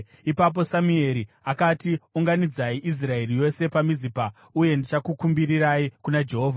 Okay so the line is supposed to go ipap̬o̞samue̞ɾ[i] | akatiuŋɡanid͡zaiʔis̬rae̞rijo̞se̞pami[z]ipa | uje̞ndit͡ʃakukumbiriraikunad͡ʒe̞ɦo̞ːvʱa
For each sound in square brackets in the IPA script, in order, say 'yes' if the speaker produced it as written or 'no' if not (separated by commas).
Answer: yes, yes